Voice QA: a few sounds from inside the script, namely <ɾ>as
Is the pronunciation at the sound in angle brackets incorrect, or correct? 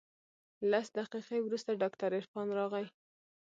incorrect